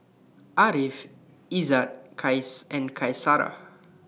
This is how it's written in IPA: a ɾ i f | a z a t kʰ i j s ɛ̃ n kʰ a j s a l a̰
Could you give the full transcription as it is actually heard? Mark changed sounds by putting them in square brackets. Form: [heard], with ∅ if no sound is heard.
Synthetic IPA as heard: a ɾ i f | [i] z a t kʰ [a] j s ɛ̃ n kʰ a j s a [ɾ] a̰